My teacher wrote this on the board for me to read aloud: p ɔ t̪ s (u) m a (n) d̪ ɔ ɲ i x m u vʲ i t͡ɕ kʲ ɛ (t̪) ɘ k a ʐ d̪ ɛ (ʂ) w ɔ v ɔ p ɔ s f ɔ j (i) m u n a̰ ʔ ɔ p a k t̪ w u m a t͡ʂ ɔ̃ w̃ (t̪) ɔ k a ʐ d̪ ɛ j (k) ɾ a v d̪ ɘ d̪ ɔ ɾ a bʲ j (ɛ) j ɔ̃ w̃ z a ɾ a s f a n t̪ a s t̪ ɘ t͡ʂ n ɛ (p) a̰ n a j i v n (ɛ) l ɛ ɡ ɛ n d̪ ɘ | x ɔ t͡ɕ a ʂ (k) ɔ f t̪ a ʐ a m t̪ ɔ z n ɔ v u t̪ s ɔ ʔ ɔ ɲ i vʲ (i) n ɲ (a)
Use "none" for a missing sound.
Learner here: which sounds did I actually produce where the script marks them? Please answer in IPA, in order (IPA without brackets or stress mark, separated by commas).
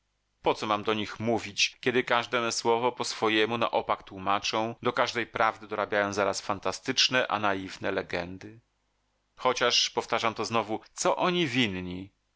ɔ, m, d̪, s, ɛ, d̪, p, a, ʔ, ɛ, p, i, i